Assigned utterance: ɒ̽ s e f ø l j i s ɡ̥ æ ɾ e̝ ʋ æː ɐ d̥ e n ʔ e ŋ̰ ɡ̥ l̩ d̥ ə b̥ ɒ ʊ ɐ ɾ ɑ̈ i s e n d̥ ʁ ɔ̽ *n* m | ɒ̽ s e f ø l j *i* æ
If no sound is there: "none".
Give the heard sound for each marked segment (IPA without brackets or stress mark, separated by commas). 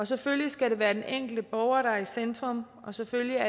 none, i